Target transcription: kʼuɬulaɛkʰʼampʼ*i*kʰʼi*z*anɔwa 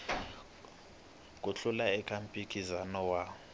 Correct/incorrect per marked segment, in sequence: correct, correct

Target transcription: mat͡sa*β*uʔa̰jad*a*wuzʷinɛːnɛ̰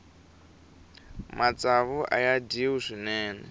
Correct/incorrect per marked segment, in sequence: correct, incorrect

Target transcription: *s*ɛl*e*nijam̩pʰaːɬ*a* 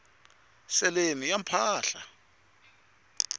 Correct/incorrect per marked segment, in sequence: correct, correct, correct

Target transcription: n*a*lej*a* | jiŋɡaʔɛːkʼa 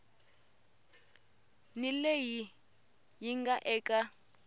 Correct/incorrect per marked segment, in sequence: incorrect, incorrect

